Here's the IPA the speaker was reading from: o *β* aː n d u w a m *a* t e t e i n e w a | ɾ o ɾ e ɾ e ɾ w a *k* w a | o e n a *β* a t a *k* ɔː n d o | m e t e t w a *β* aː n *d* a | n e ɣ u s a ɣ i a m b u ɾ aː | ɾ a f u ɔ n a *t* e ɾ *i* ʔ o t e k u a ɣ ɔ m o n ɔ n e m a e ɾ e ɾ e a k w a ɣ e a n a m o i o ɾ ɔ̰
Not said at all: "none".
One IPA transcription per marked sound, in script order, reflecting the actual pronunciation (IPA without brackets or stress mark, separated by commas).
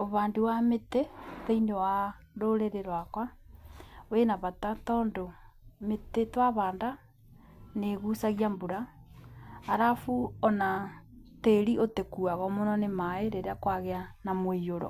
β, e, k, β, t, β, d, t, i